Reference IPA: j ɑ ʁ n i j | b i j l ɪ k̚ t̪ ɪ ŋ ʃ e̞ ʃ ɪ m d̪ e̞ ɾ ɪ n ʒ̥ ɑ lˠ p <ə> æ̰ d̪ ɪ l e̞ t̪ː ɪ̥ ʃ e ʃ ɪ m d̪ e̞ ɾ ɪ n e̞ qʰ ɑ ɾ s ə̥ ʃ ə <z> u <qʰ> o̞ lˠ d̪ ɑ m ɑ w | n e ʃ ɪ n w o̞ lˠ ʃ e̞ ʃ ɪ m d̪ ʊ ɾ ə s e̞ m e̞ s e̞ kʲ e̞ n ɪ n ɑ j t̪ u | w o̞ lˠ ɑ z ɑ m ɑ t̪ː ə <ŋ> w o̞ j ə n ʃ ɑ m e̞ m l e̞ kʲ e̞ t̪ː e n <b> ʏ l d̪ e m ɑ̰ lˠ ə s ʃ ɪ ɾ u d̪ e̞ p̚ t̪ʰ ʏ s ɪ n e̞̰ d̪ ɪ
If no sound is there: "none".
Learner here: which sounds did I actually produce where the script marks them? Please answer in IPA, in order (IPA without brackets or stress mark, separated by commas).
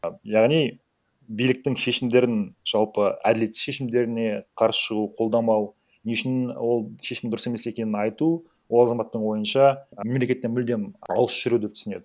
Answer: ə, ʁ, qʰ, ɴ, m